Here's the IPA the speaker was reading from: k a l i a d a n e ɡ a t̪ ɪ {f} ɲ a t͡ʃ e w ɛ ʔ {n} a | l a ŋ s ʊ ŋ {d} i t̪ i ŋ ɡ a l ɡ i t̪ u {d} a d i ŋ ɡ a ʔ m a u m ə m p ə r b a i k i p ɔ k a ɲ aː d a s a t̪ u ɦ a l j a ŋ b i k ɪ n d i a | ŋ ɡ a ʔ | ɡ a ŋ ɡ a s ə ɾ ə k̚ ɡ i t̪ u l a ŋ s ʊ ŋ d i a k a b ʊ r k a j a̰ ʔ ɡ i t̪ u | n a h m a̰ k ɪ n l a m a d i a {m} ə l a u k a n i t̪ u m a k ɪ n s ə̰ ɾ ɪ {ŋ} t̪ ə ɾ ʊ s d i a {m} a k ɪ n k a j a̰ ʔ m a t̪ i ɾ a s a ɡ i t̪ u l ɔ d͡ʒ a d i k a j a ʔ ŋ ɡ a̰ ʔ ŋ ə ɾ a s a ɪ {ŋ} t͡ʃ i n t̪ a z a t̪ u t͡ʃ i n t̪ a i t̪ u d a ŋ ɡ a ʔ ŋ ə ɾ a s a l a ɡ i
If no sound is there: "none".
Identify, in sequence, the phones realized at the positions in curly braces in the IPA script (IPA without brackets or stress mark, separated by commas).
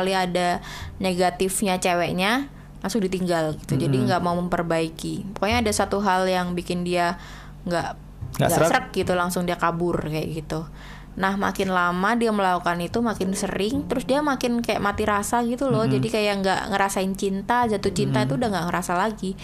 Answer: f, ɲ, d, d͡ʒ, m, ŋ, m, n